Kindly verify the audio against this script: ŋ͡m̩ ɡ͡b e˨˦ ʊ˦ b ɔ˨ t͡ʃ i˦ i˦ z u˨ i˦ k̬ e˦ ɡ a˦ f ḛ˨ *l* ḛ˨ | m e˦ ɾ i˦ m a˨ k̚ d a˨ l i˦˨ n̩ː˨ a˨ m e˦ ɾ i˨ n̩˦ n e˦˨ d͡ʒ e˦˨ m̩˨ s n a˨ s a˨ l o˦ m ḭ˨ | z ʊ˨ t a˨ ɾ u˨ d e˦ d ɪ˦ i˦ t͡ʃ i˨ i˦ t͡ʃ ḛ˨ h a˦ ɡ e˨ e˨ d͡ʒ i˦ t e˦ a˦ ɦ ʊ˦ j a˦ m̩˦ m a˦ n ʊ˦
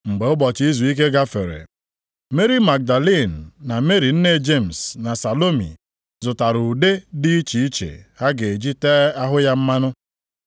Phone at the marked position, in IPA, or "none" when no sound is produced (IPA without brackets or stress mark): ɾ